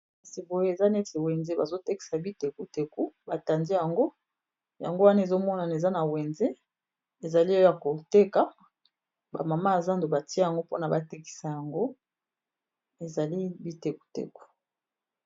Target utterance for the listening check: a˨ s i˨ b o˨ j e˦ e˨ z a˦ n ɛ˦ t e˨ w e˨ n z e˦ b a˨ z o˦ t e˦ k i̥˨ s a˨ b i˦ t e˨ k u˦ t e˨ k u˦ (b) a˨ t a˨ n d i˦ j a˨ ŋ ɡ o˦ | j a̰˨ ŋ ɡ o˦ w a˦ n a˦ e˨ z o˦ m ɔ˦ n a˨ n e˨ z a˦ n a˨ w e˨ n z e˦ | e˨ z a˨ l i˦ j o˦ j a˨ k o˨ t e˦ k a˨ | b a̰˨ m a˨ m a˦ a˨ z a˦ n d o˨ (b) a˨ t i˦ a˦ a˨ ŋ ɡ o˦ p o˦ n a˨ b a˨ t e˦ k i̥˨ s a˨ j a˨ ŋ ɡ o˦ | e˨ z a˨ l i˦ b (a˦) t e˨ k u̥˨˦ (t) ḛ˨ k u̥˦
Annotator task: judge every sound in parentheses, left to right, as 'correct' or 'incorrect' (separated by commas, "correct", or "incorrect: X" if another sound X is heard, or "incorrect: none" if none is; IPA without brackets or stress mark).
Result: correct, correct, incorrect: i˦, correct